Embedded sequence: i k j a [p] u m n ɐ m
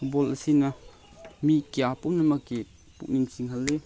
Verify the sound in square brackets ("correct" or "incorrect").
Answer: correct